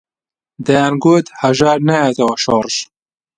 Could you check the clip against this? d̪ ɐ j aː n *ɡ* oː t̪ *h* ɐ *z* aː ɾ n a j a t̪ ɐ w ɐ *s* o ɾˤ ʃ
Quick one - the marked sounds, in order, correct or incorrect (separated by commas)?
correct, correct, incorrect, incorrect